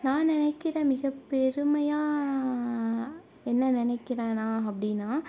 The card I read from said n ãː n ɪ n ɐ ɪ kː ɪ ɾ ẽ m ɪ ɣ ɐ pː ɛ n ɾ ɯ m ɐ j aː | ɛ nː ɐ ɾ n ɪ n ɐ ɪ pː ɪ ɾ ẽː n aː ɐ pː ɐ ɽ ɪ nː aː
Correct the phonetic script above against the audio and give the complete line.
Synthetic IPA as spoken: n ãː n ɪ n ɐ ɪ kː ɪ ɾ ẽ m ɪ ɣ ɐ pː ɛ ɾ ɯ m ɐ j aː | ɛ nː ɐ n ɪ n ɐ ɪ kː ɪ ɾ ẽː n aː ɐ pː ɐ ɽ ɪ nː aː